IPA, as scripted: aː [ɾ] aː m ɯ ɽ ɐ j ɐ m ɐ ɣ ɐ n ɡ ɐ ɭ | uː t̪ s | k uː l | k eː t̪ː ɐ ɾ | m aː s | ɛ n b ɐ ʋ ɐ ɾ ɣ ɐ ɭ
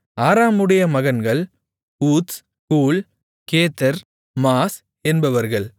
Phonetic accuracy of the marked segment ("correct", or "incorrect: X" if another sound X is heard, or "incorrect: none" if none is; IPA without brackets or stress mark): correct